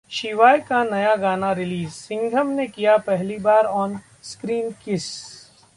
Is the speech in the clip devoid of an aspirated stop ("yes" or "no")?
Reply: yes